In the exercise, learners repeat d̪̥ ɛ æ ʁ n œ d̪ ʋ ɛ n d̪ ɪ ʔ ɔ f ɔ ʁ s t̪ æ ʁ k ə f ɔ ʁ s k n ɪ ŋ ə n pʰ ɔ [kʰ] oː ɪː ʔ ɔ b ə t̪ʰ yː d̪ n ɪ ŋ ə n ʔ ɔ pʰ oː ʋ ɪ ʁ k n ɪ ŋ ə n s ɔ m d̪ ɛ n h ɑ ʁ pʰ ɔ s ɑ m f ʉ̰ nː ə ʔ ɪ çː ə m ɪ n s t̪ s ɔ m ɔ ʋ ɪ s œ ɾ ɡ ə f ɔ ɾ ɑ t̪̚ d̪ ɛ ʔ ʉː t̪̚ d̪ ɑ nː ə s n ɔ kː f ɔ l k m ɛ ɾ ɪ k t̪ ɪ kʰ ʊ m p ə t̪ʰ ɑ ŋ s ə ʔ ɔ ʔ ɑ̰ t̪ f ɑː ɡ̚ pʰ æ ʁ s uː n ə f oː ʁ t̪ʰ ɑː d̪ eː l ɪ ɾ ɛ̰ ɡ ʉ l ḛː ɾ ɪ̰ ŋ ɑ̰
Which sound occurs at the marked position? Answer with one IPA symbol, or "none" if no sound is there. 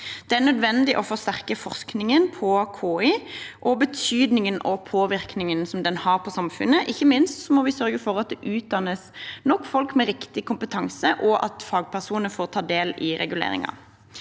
kʰ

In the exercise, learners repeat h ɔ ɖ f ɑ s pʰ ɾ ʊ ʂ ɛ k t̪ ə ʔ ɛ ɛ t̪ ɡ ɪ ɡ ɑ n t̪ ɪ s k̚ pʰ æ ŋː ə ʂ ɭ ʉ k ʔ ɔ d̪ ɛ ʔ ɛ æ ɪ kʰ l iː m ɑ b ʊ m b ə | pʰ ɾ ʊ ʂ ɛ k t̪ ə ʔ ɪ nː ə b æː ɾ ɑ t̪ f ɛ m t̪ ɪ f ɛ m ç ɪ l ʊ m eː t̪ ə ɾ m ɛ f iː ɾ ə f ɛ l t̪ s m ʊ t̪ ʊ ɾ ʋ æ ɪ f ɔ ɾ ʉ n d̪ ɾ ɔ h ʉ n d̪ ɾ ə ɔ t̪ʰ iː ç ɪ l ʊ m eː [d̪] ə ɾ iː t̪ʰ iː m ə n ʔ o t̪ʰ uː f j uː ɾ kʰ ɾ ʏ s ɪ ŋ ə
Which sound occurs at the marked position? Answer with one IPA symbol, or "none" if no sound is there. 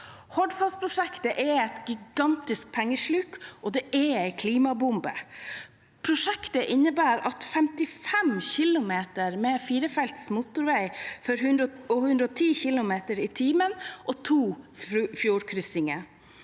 t̪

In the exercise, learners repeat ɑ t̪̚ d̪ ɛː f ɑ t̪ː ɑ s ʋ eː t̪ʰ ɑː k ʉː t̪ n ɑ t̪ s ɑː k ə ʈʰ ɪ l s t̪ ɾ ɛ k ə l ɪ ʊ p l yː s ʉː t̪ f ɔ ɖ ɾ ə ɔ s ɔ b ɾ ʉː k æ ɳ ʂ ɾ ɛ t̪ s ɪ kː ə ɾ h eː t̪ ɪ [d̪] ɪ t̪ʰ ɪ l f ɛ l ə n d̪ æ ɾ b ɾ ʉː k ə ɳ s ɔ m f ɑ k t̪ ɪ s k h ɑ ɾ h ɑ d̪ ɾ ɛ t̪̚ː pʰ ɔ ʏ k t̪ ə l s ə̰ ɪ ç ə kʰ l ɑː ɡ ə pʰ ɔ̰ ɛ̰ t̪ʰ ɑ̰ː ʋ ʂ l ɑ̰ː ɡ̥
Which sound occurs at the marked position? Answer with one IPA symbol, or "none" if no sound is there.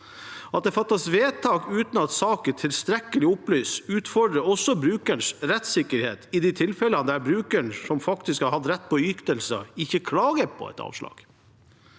d̪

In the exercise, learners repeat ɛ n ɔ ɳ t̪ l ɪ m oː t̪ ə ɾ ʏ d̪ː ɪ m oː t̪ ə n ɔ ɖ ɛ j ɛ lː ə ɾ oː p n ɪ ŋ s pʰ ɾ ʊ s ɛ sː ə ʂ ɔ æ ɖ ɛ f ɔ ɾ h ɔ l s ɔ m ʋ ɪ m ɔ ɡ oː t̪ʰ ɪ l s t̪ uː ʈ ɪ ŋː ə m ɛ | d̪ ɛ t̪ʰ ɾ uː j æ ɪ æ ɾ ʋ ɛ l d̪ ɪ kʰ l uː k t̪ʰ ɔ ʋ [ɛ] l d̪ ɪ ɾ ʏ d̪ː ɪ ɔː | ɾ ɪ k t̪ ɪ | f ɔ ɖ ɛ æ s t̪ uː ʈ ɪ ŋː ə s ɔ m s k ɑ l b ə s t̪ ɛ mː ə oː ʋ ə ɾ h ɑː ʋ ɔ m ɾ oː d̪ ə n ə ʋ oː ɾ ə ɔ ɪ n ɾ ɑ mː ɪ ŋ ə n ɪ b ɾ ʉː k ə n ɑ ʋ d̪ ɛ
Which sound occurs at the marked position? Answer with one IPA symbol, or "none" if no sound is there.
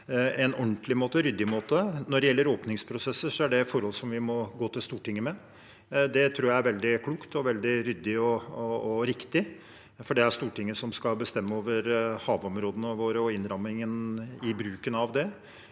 ɛ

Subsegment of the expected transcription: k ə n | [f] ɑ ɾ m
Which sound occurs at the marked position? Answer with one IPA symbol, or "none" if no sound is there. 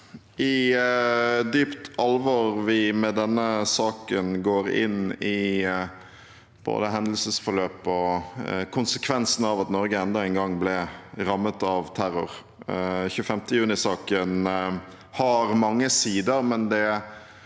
h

